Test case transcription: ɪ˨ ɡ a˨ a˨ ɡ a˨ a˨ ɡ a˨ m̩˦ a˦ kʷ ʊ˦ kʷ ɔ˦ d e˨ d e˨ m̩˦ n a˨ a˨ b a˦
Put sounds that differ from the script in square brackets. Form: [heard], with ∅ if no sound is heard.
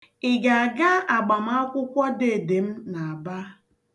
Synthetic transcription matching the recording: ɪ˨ ɡ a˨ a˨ ɡ [a˦] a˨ [ɡ͡b] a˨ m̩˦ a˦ kʷ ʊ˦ kʷ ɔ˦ d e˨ d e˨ m̩˦ n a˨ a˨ b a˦